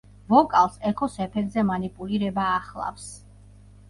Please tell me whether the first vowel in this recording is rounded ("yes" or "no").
yes